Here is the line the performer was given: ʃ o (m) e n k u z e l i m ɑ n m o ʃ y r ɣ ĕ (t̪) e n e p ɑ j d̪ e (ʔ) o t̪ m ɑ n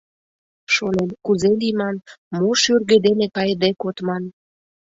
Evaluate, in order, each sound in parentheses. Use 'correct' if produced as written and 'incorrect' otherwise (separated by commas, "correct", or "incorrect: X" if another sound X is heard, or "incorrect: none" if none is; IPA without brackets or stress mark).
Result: incorrect: n, incorrect: d̪, incorrect: k